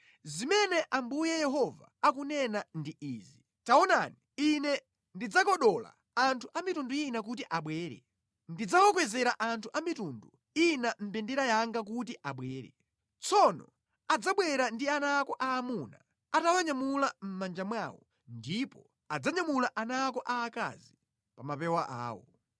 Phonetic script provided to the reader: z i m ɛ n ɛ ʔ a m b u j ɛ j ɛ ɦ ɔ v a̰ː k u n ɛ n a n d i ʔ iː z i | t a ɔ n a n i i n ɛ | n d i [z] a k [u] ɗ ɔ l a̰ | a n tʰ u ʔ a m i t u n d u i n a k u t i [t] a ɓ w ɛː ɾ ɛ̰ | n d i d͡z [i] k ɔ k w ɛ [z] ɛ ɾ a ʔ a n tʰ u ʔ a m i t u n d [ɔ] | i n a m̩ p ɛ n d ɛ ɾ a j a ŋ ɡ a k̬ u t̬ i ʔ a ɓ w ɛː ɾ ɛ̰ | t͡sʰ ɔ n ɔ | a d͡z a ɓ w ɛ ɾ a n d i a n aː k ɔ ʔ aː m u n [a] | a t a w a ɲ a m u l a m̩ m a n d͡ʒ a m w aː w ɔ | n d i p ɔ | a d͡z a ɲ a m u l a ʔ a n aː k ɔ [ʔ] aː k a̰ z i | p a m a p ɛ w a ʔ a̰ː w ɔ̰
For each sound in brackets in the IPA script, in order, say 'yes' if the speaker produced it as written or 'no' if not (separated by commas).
no, no, no, no, yes, no, yes, yes